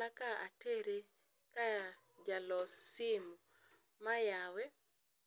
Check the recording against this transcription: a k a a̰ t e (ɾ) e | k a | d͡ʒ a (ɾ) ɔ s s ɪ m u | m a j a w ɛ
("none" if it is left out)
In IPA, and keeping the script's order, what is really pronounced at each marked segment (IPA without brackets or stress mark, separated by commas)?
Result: ɾ, l